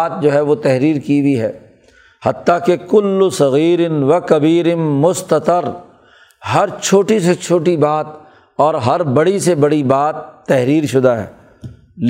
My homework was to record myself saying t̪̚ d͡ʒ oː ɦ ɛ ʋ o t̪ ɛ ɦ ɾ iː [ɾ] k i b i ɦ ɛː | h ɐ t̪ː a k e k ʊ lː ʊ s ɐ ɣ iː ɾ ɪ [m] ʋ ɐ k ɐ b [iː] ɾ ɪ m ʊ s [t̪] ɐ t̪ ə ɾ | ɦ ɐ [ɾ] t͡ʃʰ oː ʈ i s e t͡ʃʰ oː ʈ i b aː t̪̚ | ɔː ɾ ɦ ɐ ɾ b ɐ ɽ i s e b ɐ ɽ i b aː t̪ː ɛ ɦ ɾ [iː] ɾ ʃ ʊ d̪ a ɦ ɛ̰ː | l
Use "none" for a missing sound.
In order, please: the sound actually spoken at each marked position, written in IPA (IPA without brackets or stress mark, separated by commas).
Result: ɾ, n, iː, t̪, ɾ, iː